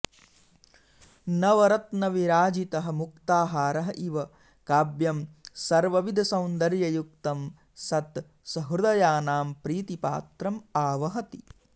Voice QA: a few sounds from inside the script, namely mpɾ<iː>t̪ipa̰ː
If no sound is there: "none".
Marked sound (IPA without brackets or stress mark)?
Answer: iː